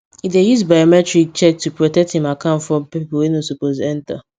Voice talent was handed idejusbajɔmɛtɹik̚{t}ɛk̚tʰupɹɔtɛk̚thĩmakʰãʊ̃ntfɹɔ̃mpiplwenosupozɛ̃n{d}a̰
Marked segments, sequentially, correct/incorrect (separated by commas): incorrect, incorrect